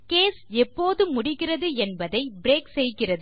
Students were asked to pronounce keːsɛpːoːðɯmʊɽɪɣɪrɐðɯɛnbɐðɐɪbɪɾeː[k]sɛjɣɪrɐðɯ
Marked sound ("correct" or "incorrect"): correct